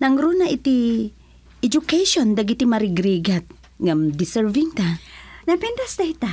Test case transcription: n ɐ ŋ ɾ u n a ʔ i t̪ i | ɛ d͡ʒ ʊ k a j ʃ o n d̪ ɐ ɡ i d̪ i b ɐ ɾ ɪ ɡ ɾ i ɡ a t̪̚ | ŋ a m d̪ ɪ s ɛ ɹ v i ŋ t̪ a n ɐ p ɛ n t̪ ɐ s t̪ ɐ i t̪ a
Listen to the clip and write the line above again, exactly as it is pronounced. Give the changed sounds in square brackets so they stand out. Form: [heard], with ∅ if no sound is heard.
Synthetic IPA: n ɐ ŋ ɾ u n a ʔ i t̪ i | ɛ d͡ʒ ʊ k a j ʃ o n d̪ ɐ ɡ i [t̪] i [m] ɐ ɾ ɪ ɡ ɾ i ɡ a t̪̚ | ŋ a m d̪ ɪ s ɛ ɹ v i ŋ t̪ a n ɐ p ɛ n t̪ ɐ s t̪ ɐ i t̪ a